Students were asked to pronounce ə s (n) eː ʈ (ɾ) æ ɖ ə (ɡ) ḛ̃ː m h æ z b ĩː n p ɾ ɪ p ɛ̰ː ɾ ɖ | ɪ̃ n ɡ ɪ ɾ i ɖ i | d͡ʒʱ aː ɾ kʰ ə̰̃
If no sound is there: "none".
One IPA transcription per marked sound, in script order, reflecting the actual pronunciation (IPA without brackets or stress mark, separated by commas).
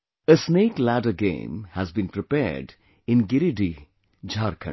n, l, ɡ